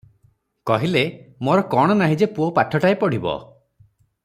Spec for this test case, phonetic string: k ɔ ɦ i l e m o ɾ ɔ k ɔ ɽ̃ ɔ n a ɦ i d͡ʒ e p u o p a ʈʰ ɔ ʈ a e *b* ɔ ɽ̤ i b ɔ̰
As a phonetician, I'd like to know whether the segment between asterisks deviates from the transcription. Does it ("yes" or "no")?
yes